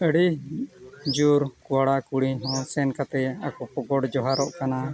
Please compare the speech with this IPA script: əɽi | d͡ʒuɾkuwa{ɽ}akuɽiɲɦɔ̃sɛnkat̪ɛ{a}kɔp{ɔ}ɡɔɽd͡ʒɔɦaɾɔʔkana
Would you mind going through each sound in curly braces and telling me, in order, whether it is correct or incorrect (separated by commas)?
correct, correct, correct